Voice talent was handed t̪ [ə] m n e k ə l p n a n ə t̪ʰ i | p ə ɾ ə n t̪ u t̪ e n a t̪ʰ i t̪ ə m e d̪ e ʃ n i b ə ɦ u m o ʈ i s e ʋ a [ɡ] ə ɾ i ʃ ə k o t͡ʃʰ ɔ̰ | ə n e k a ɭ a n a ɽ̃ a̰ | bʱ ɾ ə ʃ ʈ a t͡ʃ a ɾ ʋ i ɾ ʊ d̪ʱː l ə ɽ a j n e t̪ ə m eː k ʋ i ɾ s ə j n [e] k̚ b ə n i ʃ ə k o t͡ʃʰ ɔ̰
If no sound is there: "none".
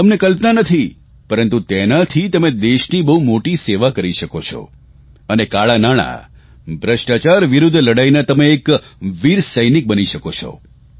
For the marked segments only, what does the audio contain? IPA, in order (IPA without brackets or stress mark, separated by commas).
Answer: ə, k, i